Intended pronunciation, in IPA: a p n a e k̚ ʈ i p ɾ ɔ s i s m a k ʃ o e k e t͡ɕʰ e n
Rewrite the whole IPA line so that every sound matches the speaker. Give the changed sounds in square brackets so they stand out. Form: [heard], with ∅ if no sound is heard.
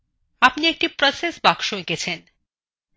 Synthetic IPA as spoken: a p n [i] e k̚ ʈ i p ɾ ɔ s [e] s [b] a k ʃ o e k e t͡ɕʰ e n